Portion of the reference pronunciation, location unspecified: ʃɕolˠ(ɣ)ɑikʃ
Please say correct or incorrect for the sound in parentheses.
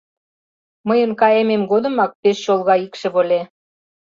correct